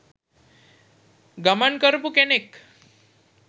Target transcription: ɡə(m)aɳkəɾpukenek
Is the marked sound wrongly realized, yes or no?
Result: no